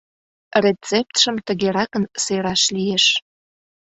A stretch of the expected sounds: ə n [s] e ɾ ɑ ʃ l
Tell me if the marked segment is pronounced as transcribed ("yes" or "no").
yes